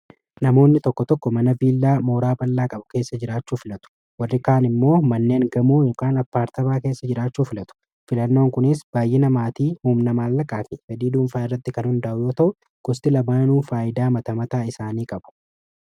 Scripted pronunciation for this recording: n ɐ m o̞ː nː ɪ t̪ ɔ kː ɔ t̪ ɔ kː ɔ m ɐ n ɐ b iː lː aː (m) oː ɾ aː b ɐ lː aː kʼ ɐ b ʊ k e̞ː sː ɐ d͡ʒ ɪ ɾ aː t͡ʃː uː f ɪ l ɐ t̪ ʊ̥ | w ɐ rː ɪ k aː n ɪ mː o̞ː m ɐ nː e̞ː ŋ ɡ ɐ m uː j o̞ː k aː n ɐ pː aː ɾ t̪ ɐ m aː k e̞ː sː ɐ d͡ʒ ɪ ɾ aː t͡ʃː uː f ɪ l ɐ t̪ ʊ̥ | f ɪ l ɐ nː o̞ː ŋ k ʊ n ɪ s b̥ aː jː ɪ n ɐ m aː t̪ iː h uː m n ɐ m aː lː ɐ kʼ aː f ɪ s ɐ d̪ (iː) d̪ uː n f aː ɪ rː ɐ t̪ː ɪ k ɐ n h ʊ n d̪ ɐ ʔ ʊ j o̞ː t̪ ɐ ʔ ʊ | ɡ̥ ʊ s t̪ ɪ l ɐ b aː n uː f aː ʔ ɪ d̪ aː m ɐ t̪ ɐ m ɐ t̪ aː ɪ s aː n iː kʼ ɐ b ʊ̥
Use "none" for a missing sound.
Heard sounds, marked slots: m, iː

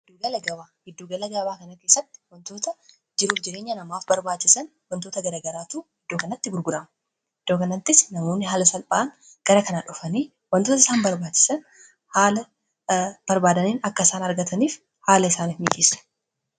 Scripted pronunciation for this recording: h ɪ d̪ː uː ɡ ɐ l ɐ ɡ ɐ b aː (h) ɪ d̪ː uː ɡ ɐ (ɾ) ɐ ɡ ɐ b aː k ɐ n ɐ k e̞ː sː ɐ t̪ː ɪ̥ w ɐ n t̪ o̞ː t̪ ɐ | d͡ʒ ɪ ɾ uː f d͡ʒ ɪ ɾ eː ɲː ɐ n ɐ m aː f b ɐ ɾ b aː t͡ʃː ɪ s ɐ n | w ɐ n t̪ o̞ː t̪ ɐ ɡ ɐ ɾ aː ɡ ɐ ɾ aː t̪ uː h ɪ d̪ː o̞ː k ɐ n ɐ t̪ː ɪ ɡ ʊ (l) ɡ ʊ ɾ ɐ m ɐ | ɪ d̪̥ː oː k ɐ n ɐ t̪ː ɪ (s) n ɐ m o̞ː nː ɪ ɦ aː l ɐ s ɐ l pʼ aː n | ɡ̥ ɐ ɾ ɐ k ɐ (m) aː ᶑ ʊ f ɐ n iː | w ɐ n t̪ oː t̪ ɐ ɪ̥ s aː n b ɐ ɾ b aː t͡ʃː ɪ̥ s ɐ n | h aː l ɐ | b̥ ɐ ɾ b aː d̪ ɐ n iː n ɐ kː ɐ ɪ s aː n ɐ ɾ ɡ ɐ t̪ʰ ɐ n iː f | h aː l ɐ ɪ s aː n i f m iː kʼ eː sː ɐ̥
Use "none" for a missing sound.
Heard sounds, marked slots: h, l, ɾ, s, n

